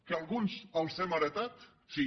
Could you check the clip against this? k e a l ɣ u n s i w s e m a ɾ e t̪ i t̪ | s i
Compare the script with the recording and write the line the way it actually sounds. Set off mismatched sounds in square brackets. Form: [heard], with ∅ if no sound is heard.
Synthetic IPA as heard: k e a l ɣ u n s [a] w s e m a ɾ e t̪ [a] t̪ | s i